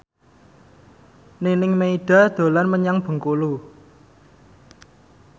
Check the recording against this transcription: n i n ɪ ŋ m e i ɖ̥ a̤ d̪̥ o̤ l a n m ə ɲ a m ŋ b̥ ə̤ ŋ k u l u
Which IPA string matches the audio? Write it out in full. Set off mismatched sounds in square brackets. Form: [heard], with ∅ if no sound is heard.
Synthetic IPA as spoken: n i n ɪ ŋ m e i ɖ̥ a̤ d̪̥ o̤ l a n m ə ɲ a [∅] ŋ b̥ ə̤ ŋ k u l u